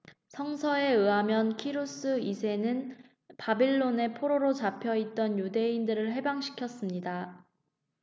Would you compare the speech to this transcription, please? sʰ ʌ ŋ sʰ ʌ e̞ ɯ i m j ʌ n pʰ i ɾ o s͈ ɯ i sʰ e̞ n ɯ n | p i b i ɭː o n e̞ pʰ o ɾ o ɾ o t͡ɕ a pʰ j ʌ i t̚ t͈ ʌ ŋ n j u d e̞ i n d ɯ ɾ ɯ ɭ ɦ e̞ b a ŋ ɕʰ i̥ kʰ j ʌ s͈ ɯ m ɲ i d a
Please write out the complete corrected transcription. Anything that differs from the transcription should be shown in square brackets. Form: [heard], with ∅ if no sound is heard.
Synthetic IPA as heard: sʰ ʌ ŋ sʰ ʌ e̞ ɯ [a] m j ʌ n [kʰ] i ɾ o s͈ ɯ i sʰ e̞ n ɯ n | p [a] b i ɭː o n e̞ pʰ o ɾ o ɾ o t͡ɕ a pʰ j ʌ i t̚ t͈ ʌ [∅] n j u d e̞ i n d ɯ ɾ ɯ ɭ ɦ e̞ b a ŋ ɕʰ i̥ kʰ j ʌ s͈ ɯ m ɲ i d a